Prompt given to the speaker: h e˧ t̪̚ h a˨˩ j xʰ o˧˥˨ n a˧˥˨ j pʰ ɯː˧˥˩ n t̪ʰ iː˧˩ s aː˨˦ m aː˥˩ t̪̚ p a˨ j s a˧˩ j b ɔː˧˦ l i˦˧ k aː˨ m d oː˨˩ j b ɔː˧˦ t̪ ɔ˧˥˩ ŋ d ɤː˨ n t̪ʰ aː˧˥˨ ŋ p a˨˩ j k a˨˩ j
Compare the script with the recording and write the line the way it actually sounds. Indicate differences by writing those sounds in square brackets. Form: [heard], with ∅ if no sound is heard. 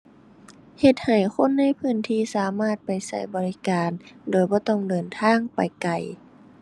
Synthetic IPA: h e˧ t̪̚ h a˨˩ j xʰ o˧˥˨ [nː] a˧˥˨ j pʰ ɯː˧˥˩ n t̪ʰ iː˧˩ s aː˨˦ m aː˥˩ t̪̚ p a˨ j s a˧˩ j b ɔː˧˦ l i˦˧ k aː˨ [n] d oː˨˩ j b ɔː˧˦ t̪ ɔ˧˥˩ ŋ d ɤː˨ n t̪ʰ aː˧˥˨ ŋ p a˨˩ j k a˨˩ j